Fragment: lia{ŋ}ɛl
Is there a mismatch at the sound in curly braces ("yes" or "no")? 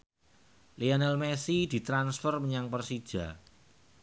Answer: yes